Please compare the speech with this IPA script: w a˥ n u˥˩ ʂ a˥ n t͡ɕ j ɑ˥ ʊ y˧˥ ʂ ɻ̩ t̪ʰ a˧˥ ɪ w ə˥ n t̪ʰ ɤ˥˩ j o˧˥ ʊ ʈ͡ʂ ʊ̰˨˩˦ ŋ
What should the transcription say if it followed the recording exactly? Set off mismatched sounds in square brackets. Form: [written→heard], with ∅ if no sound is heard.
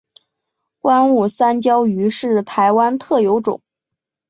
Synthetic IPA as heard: w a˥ n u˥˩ [ʂ→s] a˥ n t͡ɕ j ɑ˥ ʊ y˧˥ ʂ ɻ̩ t̪ʰ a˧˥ ɪ w [ə˥→a˥] n t̪ʰ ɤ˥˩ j o˧˥ ʊ ʈ͡ʂ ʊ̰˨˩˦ ŋ